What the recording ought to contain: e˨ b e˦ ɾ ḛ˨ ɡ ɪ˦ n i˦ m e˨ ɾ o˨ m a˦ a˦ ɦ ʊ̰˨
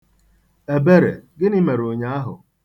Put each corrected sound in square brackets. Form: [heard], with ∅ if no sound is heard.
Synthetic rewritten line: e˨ b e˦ ɾ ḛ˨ ɡ ɪ˦ n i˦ m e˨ ɾ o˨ [ɲ] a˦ a˦ ɦ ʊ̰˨